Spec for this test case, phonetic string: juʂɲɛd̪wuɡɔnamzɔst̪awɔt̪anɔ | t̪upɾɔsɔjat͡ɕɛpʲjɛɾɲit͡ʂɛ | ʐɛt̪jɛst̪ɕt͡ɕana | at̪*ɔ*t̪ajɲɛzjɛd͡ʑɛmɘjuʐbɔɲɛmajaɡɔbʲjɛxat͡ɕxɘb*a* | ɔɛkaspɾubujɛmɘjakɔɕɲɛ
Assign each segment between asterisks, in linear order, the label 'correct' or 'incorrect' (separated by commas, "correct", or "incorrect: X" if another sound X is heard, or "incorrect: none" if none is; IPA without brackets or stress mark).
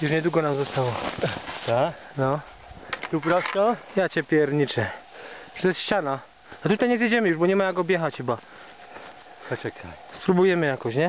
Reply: incorrect: u, correct